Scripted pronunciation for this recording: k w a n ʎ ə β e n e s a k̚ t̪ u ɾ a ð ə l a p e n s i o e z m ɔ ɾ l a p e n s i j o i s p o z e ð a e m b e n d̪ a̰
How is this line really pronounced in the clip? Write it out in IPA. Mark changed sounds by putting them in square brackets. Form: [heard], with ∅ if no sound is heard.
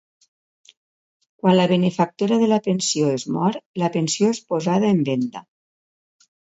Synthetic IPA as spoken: k w a n [l] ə β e n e [f] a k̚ t̪ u ɾ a ð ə l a p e n s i o e z m ɔ ɾ l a p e n s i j o [e] s p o z [a] ð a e m b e n d̪ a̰